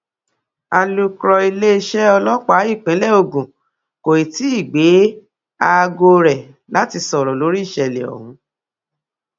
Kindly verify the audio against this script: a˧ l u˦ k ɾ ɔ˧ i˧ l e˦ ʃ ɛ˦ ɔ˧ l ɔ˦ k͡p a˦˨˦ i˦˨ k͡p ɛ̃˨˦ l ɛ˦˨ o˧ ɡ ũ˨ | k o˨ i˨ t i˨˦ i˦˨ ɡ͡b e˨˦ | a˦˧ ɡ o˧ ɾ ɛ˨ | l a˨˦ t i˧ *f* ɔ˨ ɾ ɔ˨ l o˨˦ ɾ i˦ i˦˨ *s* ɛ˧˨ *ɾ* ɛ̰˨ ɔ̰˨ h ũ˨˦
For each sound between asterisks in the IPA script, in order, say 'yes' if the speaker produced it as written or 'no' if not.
no, no, no

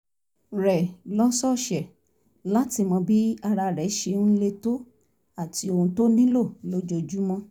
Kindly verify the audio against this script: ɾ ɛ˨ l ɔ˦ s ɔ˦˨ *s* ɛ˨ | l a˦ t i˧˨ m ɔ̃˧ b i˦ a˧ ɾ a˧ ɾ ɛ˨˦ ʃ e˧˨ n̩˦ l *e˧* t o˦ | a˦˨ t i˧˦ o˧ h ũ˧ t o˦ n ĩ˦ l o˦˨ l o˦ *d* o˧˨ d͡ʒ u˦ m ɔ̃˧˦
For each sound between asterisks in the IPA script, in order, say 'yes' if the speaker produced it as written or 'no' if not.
no, yes, no

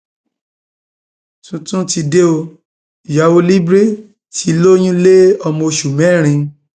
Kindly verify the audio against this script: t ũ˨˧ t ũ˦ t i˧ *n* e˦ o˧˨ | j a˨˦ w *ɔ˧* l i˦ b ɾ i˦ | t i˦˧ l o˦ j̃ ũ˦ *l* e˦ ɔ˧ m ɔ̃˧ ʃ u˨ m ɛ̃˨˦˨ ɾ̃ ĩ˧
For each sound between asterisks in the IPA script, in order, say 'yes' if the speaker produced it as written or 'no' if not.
no, no, yes

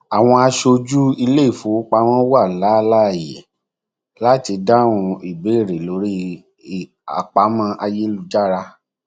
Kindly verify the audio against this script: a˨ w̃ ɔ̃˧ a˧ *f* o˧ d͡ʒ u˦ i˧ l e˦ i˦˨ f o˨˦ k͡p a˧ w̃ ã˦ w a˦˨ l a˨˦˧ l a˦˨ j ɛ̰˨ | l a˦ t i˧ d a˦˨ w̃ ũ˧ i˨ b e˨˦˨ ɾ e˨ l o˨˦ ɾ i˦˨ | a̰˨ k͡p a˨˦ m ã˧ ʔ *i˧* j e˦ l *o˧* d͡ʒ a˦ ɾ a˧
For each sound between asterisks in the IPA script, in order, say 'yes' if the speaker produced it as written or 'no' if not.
no, no, no

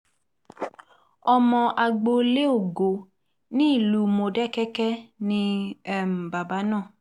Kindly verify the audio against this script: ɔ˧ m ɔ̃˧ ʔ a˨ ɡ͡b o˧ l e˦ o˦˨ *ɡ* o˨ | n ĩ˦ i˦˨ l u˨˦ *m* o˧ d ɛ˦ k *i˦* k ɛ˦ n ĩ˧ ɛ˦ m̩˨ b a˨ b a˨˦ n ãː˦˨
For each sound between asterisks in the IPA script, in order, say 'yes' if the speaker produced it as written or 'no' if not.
yes, yes, no

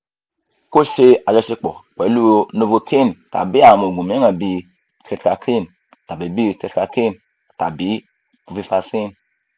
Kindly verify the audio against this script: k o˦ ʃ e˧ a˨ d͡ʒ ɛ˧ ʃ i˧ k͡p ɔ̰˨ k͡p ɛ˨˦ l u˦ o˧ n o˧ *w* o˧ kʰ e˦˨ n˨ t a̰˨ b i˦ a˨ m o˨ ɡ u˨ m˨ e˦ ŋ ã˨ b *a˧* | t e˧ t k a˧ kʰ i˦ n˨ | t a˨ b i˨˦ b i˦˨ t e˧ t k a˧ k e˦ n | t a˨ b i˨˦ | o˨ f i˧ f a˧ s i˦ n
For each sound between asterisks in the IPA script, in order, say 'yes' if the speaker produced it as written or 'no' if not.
no, no

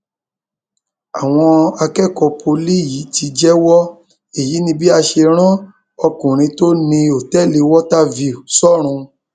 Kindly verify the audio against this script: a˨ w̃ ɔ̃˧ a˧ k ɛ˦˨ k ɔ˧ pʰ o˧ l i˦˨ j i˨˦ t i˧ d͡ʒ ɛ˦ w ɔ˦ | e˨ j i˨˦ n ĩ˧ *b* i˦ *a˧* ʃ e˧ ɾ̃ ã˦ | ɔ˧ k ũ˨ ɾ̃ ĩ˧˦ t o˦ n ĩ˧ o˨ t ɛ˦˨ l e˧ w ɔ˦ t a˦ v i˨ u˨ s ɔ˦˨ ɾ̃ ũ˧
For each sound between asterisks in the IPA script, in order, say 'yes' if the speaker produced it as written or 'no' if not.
yes, yes

